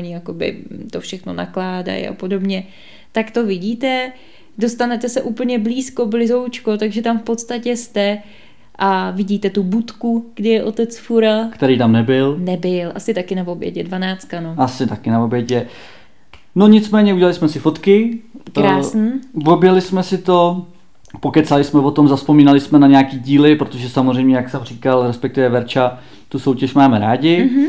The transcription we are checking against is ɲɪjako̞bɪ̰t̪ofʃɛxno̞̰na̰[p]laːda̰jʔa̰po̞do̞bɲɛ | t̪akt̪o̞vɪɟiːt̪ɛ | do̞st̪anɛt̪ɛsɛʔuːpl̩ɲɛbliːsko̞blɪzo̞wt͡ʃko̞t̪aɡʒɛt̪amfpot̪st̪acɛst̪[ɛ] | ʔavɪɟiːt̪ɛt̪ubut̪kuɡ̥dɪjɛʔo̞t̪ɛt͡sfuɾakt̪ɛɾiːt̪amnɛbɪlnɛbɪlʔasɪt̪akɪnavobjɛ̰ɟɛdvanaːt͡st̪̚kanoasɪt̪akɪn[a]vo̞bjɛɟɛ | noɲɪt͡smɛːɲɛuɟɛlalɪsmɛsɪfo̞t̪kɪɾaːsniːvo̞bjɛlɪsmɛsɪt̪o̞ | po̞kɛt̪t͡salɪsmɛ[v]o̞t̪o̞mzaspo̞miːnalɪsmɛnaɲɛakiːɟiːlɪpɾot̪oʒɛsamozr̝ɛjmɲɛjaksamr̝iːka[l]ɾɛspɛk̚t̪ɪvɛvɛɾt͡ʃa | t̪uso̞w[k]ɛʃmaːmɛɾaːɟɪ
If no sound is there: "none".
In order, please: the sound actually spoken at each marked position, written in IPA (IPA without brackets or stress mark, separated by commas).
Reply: k, ɛ, a, v, l, c